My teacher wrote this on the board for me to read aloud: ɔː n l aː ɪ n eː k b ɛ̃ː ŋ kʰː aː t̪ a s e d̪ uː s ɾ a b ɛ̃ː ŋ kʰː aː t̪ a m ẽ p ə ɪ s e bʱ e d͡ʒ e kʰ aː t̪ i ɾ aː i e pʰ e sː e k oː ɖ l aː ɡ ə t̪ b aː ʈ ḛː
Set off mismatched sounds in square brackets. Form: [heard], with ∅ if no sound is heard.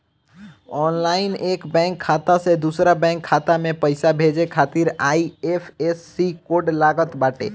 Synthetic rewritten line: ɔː n l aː ɪ n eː k b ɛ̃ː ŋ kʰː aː t̪ a s e d̪ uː s ɾ a b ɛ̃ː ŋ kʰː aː t̪ a m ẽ p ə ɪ s [a] bʱ e d͡ʒ e kʰ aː t̪ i ɾ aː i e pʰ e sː [i] k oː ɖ l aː ɡ ə t̪ b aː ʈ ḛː